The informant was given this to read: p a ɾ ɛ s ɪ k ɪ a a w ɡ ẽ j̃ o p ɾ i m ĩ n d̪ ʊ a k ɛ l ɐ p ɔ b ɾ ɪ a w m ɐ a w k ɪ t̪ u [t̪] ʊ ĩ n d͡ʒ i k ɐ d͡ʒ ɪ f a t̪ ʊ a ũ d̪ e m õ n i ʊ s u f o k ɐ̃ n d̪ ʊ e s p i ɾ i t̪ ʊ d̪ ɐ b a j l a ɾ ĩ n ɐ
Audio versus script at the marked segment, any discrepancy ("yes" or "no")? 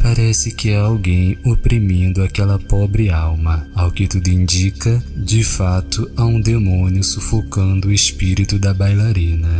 yes